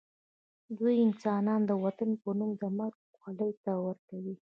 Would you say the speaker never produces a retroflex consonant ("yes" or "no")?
yes